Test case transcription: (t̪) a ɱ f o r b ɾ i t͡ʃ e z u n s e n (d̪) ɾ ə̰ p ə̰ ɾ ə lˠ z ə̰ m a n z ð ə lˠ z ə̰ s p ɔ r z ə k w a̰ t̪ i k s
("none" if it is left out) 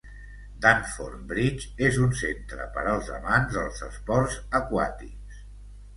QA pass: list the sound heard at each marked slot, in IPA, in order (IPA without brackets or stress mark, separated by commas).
d̪, t̪